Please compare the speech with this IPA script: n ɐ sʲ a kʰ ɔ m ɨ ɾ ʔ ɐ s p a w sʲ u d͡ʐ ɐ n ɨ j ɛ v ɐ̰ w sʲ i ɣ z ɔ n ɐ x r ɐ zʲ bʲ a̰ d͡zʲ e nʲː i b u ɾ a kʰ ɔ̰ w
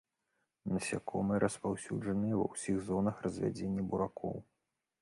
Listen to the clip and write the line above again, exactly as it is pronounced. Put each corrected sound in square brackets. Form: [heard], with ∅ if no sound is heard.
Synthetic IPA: n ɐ sʲ a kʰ ɔ m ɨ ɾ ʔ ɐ s p a w sʲ u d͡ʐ ɐ n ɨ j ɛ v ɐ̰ w sʲ i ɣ z ɔ n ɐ x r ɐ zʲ [vʲ] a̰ d͡zʲ e nʲː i b u ɾ a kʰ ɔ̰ w